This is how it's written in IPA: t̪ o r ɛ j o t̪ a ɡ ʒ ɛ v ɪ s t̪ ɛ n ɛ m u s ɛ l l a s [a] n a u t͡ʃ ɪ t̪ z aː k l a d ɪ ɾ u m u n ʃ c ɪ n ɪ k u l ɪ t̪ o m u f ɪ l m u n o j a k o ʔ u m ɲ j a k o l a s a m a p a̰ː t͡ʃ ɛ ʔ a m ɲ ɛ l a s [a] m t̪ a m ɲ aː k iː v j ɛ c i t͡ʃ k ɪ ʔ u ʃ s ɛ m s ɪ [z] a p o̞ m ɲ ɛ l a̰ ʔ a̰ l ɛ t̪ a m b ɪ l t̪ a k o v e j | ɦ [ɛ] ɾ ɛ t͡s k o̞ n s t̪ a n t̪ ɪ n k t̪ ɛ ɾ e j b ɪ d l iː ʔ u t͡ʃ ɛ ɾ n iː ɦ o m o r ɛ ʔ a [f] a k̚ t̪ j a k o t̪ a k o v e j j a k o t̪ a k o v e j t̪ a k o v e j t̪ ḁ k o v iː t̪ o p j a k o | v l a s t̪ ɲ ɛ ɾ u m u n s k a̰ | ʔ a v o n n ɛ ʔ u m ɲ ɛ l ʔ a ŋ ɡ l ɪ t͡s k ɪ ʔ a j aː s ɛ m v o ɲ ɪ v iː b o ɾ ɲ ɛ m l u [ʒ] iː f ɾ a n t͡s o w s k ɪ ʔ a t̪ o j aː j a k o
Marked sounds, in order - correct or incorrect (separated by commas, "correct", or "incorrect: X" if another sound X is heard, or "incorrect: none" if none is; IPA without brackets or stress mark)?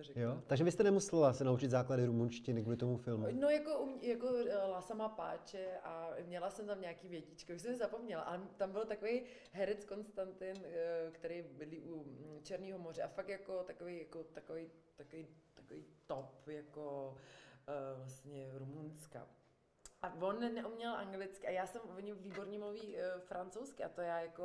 incorrect: ɛ, incorrect: ɛ, correct, correct, correct, incorrect: v